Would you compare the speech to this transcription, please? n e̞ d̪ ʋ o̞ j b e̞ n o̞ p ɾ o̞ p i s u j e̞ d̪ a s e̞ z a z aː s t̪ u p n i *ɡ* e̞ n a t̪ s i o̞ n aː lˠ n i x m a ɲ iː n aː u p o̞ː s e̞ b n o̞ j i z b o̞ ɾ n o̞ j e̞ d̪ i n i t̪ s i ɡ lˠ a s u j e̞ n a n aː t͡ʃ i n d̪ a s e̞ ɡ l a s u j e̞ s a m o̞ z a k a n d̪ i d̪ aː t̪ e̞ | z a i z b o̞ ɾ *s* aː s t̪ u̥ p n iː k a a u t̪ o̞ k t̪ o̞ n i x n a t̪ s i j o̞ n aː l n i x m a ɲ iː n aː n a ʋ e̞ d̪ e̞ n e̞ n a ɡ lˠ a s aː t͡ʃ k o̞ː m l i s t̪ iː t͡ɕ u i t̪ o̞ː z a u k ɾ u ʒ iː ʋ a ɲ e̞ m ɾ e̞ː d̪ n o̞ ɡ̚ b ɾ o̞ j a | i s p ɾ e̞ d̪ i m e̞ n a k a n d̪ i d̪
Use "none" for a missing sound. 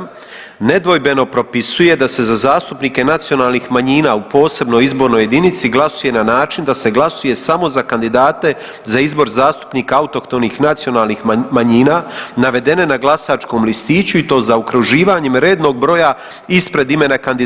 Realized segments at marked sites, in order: k, z

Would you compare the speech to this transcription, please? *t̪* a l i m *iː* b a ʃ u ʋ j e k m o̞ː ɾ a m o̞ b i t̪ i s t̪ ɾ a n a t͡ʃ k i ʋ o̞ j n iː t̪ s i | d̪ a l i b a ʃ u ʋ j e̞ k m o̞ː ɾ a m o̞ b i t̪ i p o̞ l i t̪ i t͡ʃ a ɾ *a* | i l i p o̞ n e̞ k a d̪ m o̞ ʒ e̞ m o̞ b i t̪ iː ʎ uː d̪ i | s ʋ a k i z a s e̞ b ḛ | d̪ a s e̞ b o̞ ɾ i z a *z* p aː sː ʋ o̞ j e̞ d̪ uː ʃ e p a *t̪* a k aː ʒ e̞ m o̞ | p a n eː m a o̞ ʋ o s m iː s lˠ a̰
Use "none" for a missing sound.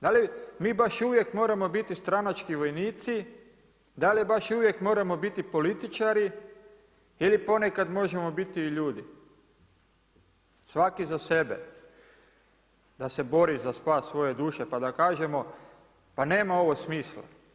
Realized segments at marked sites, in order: d̪, iː, i, s, d̪

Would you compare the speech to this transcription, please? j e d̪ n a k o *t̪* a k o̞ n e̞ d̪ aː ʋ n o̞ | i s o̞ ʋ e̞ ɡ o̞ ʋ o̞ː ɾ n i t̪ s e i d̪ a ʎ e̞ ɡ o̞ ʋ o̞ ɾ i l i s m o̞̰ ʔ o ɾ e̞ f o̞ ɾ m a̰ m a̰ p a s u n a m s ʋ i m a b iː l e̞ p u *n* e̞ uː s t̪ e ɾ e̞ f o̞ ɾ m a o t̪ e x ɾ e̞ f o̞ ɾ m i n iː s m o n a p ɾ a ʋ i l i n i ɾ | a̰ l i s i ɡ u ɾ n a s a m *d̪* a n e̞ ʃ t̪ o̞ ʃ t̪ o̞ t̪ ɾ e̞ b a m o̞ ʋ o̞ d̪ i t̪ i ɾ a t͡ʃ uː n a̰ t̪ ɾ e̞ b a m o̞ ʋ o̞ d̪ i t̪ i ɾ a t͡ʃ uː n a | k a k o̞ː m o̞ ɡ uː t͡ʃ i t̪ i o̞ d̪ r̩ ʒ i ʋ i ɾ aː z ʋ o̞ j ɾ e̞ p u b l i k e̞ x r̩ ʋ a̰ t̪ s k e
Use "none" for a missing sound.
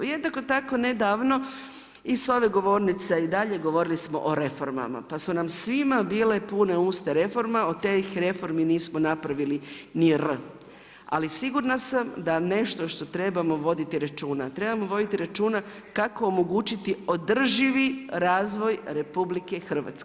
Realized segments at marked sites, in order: t̪, n, d̪

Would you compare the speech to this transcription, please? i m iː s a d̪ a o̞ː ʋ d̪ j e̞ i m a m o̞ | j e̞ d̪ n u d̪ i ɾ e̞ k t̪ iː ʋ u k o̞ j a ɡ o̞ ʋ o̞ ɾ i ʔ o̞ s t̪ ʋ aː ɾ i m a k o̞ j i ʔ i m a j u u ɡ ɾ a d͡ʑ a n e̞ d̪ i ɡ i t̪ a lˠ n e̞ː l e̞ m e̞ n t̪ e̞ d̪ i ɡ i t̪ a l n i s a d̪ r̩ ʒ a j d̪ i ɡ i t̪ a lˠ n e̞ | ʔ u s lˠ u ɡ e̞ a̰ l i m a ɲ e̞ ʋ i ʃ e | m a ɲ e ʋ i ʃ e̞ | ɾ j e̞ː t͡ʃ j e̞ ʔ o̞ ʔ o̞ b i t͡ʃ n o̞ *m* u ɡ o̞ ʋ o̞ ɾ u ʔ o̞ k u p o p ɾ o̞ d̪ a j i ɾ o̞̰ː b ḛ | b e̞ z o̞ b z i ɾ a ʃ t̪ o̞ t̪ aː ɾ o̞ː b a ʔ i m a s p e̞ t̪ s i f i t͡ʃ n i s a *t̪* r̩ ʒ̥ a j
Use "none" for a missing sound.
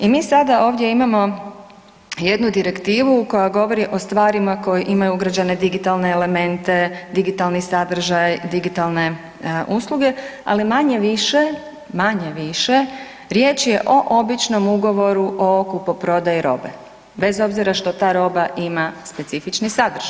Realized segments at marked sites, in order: m, d̪

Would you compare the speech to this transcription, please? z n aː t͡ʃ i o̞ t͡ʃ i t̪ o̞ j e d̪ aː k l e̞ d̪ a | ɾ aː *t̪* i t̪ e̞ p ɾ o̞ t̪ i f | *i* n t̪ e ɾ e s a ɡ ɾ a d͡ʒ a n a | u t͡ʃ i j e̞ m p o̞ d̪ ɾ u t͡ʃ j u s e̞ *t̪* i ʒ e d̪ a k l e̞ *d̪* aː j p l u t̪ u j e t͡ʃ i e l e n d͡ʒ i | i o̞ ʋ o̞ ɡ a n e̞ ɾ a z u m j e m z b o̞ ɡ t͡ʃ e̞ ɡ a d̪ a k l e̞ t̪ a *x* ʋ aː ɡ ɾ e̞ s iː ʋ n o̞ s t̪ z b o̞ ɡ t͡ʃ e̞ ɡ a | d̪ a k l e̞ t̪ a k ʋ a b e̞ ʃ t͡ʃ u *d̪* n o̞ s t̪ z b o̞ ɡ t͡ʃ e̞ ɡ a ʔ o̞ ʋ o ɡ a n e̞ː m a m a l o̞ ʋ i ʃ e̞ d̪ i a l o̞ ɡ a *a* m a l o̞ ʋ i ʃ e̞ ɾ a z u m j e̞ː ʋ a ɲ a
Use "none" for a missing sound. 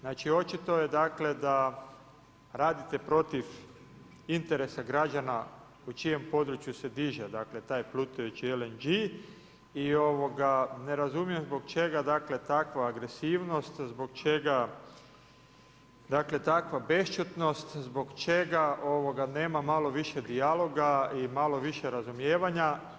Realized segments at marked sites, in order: d̪, i, d̪, t̪, k, t̪, i

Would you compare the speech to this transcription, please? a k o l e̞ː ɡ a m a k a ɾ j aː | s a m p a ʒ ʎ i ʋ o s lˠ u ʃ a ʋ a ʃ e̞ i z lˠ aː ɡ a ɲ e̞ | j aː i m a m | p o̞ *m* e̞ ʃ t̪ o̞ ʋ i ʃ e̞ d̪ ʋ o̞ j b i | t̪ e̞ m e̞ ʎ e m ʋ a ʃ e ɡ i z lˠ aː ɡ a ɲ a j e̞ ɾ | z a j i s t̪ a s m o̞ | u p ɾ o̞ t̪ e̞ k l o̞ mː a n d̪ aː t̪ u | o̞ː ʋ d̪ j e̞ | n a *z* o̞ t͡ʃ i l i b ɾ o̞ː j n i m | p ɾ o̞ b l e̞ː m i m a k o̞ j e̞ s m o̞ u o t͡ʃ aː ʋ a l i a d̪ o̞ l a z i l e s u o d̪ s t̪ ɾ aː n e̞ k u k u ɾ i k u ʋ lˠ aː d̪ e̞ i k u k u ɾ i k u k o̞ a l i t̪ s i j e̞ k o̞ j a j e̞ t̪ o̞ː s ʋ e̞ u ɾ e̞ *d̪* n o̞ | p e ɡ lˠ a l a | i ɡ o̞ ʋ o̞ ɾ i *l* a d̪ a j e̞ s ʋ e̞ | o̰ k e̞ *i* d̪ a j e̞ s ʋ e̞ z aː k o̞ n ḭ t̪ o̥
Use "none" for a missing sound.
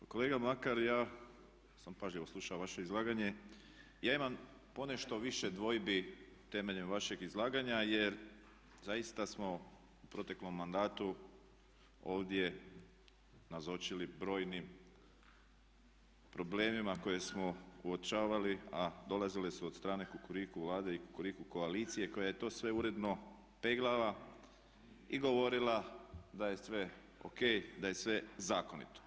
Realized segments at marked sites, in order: n, z, d̪, l, j

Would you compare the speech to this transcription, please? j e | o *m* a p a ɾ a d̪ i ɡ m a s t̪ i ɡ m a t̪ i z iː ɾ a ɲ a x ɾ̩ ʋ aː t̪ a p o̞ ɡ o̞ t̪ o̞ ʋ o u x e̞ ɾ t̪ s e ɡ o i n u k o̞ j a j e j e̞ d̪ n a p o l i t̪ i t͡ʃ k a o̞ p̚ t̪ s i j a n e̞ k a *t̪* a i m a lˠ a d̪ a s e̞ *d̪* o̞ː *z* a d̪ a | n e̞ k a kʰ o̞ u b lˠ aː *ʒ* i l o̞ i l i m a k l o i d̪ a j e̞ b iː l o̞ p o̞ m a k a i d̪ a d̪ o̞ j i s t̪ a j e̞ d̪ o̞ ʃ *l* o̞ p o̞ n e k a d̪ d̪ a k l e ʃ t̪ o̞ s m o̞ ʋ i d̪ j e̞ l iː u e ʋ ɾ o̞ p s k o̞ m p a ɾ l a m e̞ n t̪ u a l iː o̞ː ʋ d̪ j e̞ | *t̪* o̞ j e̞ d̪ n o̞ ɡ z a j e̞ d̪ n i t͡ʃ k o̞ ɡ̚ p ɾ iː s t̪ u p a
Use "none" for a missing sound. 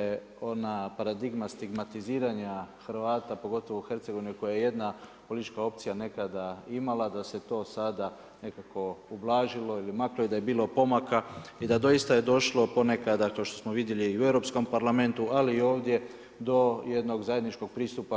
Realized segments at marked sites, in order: n, d̪, t̪, s, ʒ, l, d̪

